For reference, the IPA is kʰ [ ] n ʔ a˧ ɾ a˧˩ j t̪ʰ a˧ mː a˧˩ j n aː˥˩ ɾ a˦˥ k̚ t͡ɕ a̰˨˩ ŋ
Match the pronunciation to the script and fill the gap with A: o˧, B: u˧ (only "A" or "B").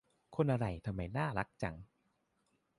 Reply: A